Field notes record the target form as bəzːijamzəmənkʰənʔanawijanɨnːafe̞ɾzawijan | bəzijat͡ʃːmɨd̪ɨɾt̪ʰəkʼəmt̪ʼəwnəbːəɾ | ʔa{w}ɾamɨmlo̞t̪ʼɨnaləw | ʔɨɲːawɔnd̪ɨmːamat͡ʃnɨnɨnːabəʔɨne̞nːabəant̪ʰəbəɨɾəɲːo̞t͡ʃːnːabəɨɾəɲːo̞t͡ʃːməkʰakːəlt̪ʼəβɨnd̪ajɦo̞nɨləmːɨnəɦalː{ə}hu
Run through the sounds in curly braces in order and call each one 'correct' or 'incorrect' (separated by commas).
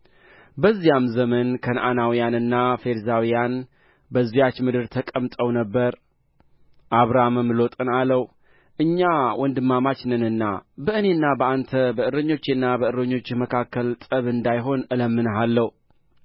incorrect, correct